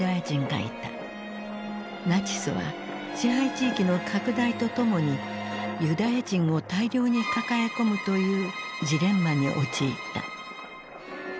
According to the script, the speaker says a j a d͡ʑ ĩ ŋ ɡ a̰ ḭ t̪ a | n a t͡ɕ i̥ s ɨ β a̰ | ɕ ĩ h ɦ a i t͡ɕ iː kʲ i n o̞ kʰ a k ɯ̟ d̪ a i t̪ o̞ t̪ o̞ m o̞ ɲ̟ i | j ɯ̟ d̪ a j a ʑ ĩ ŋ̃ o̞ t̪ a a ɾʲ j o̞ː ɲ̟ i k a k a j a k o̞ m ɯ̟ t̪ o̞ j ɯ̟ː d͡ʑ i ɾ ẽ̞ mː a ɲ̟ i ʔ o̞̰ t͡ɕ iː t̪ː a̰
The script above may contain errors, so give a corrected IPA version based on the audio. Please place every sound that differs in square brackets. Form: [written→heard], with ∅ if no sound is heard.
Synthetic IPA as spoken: a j a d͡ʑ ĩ ŋ ɡ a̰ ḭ t̪ a | n a t͡ɕ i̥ s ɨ β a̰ | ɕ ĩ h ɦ a i t͡ɕ iː kʲ i n o̞ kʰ a k ɯ̟ d̪ a i t̪ o̞ t̪ o̞ m o̞ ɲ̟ i | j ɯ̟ d̪ a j a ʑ ĩ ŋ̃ o̞ t̪ a [a→i] ɾʲ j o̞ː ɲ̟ i k a k a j a k o̞ m ɯ̟ t̪ o̞ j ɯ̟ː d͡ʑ i ɾ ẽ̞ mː a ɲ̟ i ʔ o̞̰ t͡ɕ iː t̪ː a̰